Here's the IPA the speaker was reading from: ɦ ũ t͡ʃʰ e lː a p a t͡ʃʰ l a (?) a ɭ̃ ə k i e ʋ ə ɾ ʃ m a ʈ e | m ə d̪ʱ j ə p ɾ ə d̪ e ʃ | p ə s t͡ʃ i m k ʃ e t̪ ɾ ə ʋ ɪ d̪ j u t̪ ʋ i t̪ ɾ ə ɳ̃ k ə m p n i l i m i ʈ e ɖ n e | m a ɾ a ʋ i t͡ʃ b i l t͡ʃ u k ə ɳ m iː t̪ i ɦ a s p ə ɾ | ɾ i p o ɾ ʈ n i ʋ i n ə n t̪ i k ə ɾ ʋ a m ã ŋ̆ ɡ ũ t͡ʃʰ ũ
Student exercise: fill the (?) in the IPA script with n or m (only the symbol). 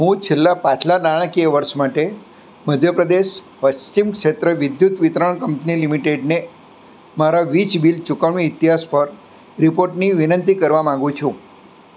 n